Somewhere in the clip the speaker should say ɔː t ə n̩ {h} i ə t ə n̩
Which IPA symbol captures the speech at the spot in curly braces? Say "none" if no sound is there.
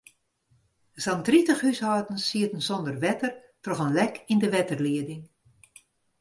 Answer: s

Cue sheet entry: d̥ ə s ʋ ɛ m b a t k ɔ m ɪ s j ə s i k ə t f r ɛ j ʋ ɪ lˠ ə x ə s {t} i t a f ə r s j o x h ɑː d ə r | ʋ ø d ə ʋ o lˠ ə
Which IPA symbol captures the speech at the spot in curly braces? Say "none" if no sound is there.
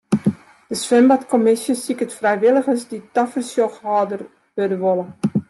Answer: d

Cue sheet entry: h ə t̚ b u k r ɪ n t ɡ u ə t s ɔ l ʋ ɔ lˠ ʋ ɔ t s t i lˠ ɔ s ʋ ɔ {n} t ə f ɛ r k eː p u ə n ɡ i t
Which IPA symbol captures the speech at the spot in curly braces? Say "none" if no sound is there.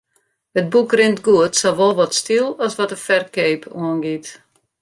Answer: none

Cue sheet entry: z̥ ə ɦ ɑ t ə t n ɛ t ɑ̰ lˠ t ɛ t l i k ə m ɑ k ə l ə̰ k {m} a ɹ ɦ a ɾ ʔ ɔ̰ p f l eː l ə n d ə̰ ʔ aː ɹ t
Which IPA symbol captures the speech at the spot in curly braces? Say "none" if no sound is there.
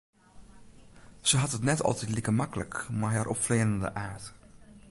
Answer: m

